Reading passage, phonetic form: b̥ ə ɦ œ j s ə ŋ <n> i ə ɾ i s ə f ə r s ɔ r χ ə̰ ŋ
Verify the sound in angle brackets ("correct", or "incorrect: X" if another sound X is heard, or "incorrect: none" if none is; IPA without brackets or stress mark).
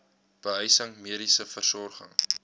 incorrect: m